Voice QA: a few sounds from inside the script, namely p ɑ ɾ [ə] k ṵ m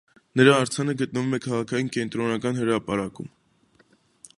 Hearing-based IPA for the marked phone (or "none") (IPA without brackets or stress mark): ɑ